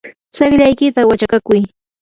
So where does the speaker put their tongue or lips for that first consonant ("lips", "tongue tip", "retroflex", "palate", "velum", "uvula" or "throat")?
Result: tongue tip